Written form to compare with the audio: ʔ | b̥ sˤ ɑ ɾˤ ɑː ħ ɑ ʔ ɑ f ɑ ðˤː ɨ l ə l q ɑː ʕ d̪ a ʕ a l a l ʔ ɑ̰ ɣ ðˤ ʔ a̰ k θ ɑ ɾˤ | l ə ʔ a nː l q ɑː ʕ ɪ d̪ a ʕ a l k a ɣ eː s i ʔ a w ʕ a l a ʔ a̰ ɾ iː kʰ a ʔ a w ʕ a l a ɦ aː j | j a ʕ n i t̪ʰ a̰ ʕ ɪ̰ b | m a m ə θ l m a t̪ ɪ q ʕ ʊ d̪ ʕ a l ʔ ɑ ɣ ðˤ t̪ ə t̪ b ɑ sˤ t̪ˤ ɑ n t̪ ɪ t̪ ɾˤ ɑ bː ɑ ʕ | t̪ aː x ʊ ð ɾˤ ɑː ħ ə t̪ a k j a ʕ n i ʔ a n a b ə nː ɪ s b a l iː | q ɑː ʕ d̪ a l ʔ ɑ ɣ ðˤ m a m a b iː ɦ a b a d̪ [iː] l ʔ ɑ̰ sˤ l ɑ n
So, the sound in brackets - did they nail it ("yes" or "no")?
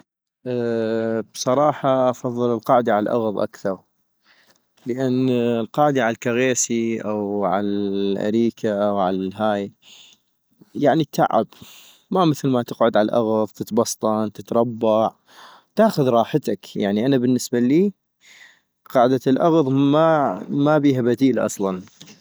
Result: yes